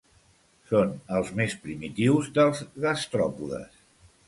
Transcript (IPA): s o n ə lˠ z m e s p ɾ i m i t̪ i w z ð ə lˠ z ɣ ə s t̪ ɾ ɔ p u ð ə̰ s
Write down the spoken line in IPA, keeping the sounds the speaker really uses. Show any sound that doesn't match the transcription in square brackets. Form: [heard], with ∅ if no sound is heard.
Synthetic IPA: s o n ə lˠ z m e s p ɾ i m i t̪ i w z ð ə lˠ z ɣ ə s t̪ ɾ ɔ p u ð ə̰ s